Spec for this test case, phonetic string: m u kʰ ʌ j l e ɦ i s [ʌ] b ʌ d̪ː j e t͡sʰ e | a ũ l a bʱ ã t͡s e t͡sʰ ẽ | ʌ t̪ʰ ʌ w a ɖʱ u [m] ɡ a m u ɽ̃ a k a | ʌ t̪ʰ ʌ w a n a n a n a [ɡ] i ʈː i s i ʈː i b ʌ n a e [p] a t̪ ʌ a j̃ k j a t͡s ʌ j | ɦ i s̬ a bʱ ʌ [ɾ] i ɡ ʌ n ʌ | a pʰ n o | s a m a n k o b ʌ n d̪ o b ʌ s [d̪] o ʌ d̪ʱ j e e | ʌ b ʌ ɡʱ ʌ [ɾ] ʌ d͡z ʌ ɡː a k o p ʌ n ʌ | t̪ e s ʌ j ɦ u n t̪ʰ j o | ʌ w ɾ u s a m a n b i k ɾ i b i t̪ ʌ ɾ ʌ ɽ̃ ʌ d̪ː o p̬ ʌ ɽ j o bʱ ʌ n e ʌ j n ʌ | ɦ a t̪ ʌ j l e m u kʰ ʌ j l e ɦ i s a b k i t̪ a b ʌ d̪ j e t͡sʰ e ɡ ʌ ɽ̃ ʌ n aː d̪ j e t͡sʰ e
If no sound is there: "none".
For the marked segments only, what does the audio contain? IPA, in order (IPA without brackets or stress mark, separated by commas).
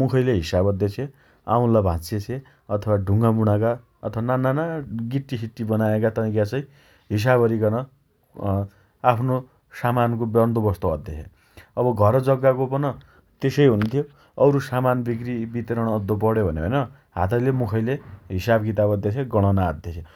a, ŋ, ɡ, k, ɾ, t̪, ɾ